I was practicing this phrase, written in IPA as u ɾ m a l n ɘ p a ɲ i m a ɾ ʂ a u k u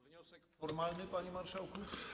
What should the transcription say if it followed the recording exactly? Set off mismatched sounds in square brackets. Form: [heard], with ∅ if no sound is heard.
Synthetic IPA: [ɔ] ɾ m a l n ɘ p a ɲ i m a ɾ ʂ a [w] k u